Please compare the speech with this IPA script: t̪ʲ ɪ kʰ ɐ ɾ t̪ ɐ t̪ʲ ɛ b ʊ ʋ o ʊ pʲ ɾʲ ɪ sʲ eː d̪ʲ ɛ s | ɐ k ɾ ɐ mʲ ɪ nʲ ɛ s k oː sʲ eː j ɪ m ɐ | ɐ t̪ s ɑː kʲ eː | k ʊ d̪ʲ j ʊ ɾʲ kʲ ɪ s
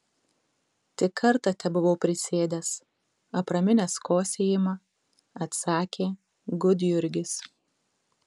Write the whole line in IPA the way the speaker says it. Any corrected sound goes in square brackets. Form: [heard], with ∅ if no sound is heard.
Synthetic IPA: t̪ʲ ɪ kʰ ɐ ɾ t̪ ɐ t̪ʲ ɛ b ʊ ʋ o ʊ pʲ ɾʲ ɪ sʲ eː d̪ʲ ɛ s | ɐ [p] ɾ ɐ mʲ ɪ nʲ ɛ s k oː sʲ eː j ɪ m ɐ | ɐ t̪ s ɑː kʲ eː | [ɡ] ʊ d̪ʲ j ʊ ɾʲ [ɡʲ] ɪ s